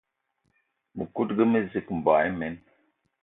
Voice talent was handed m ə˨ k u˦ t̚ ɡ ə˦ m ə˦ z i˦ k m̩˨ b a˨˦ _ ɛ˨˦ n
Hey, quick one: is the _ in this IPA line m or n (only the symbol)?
m